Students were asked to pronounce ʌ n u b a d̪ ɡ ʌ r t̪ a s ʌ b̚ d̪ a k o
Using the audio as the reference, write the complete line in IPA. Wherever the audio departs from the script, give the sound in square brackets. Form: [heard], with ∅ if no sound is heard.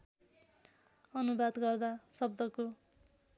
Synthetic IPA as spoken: ʌ n u b a d̪ ɡ ʌ r [d̪] a s ʌ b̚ d̪ [ʌ] k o